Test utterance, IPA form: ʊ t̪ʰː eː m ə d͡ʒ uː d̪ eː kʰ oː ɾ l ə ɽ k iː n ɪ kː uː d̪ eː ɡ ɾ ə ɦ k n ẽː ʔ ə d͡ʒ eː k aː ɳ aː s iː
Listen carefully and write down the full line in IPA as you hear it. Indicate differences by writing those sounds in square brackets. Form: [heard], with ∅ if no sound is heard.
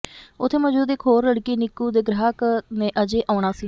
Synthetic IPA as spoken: ʊ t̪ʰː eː m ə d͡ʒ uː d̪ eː kʰ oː ɾ l ə ɽ k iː n ɪ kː uː d̪ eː ɡ ɾ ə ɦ k n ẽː ʔ ə d͡ʒ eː [ʔ] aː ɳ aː s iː